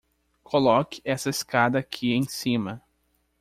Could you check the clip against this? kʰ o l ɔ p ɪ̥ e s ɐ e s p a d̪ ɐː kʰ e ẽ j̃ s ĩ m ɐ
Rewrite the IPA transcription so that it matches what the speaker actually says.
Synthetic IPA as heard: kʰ o l ɔ k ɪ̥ ɛ s ɐ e s k a d̪ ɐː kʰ i ẽ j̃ s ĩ m ɐ